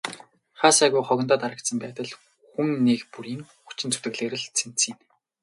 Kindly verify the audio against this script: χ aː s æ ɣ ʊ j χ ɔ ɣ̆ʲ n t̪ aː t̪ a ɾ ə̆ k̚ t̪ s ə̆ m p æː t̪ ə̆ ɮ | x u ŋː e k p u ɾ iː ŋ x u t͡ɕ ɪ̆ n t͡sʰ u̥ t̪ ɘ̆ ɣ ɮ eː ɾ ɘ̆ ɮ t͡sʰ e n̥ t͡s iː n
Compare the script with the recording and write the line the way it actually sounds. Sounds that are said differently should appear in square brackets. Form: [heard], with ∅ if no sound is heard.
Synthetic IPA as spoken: χ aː s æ ɣ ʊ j χ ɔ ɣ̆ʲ n t̪ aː t̪ a ɾ ə̆ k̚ t̪ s ə̆ m p æː t̪ ə̆ ɮ | x u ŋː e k p u ɾ iː ŋ x u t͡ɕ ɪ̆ n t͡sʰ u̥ t̪ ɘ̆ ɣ ɮ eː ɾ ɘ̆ ɮ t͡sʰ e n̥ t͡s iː n